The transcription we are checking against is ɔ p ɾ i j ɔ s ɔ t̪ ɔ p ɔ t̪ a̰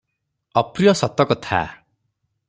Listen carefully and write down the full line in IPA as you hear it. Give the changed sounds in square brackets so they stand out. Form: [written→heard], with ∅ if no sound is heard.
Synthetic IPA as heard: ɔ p ɾ i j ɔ s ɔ t̪ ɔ [p→k] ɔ [t̪→t̪ʰ] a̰